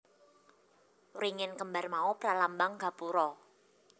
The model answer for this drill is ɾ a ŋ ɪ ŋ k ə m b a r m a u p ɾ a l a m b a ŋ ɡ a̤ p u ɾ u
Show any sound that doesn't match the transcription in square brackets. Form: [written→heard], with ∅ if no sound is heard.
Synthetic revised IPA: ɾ [a→i] ŋ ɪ [ŋ→n] k ə m b a r m a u p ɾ a l a m b a ŋ ɡ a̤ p u ɾ [u→ɔ]